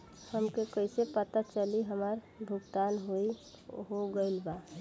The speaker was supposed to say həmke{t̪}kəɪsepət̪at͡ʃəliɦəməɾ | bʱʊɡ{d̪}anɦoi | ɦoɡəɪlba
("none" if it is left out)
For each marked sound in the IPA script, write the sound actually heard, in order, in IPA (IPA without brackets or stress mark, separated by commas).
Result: none, t̪